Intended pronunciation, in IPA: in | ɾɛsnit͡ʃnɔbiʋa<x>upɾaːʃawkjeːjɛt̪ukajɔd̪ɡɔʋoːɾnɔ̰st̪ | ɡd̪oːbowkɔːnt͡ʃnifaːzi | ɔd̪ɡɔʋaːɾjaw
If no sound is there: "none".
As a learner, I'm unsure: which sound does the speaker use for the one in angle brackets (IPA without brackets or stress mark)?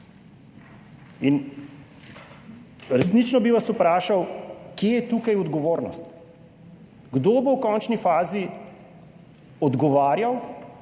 s